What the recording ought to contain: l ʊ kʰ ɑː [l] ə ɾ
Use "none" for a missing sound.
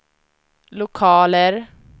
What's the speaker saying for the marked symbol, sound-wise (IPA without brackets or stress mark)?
l